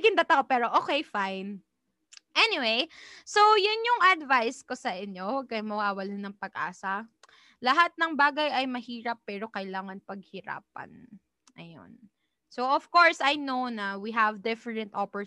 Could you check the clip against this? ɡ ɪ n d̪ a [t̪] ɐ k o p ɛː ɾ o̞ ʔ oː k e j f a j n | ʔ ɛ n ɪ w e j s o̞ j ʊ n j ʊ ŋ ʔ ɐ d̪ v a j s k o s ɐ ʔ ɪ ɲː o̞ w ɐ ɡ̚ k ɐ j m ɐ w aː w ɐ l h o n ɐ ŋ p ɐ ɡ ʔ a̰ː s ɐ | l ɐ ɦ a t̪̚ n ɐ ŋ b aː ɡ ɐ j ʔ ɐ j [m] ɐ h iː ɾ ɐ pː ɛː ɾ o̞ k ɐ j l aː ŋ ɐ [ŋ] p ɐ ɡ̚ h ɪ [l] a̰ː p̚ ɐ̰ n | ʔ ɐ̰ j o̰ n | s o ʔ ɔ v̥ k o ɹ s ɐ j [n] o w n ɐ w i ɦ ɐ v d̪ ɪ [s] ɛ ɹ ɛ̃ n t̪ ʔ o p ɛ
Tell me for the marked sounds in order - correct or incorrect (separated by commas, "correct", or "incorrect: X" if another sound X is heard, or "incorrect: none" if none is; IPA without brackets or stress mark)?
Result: correct, correct, incorrect: n, incorrect: ɾ, correct, incorrect: f